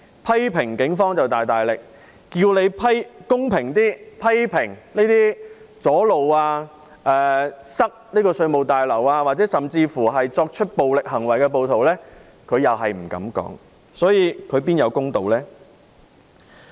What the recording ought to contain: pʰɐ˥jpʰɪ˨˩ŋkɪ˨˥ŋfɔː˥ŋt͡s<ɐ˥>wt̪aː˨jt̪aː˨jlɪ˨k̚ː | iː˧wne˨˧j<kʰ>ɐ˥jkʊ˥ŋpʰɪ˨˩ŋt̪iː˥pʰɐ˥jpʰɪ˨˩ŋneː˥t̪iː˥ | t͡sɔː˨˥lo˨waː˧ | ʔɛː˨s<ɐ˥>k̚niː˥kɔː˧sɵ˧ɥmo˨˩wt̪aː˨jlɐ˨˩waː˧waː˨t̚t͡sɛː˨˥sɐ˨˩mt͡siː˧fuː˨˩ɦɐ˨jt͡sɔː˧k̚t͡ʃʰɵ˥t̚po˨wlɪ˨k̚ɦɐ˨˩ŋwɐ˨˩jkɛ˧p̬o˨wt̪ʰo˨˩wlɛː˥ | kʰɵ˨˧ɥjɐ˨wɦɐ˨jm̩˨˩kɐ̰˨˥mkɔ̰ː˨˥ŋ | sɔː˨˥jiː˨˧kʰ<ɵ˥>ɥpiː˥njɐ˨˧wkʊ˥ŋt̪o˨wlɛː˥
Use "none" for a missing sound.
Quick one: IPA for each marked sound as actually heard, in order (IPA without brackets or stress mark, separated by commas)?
ɐ˨, pʰ, ɐ˥, ɵ˨˧